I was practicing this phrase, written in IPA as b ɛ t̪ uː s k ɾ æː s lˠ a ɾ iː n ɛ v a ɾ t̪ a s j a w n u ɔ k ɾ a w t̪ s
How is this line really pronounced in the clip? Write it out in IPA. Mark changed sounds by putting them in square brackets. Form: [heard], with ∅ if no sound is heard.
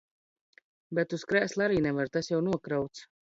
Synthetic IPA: b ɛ t̪ [u] s k ɾ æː s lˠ a ɾ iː n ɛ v a ɾ t̪ a s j a w n u ɔ k ɾ a w t̪ s